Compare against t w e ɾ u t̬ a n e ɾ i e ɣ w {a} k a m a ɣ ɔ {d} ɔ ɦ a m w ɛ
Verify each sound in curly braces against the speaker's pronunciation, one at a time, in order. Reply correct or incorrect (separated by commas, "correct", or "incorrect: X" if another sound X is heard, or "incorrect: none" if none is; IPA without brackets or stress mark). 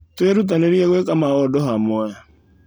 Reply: incorrect: e, correct